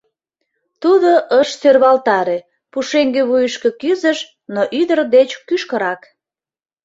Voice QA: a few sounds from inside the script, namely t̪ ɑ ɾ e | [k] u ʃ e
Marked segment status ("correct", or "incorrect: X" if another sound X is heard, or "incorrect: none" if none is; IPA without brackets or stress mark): incorrect: p